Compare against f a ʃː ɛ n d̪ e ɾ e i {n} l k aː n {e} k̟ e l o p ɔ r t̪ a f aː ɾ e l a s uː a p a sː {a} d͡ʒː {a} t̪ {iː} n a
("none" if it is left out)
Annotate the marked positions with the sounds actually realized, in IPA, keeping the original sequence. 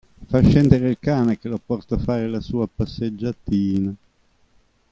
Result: none, e, e, a, iː

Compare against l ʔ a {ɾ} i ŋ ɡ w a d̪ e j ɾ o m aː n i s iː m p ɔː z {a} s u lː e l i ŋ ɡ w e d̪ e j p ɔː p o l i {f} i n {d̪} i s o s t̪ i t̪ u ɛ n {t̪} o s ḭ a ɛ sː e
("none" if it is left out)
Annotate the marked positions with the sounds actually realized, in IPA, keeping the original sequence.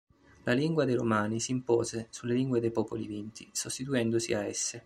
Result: l, e, v, t̪, d̪

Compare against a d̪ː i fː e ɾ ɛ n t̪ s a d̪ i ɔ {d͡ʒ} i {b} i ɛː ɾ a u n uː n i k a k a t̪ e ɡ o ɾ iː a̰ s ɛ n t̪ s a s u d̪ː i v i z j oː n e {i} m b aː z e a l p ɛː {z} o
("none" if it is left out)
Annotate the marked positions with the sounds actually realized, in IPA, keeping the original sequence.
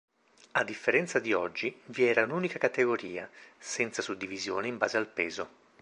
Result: d͡ʒː, v, i, z

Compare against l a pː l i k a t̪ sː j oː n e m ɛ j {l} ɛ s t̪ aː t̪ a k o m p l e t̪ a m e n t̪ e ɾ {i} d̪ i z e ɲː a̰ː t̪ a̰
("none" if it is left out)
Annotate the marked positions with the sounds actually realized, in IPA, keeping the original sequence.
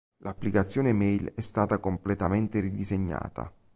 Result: l, i

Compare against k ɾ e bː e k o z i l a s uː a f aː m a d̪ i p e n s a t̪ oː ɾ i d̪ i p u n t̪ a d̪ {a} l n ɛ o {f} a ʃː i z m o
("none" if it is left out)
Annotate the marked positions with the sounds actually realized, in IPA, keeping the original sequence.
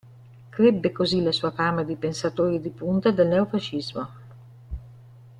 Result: e, f

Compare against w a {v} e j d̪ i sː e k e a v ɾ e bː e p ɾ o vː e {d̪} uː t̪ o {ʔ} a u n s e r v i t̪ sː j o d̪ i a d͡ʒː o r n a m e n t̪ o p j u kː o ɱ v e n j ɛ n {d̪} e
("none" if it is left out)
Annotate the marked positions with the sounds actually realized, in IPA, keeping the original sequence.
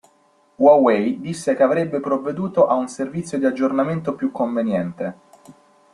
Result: w, d̪, ʔ, t̪

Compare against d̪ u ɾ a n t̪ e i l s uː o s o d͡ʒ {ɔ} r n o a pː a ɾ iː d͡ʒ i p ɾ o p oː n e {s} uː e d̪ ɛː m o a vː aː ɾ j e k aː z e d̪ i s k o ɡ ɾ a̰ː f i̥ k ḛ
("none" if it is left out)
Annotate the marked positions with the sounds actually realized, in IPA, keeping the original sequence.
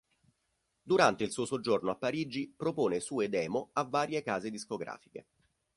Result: o, s

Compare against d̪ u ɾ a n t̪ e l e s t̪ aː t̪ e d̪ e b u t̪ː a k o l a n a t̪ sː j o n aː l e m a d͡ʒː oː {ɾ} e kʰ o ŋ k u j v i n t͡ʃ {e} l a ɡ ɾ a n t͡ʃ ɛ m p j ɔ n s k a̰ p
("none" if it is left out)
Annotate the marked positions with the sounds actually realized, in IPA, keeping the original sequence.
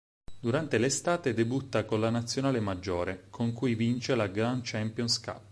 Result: ɾ, e

